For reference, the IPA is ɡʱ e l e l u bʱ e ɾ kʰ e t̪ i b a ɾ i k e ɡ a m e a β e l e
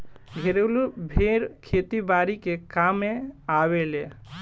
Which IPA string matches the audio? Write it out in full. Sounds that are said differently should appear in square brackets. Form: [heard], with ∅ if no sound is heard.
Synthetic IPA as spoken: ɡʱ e [ɾ] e l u bʱ e ɾ kʰ e t̪ i b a ɾ i k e [k] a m e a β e l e